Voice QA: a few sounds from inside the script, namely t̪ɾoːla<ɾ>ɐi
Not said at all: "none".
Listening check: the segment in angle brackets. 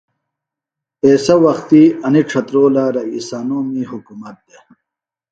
ɾ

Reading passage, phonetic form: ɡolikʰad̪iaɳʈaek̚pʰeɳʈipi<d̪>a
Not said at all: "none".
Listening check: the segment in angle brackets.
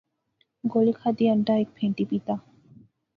t̪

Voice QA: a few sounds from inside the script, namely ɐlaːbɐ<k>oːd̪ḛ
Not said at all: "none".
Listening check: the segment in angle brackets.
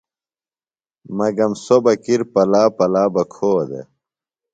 kʰ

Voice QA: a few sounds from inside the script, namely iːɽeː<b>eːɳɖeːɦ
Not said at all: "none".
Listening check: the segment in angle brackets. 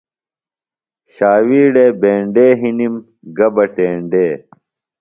b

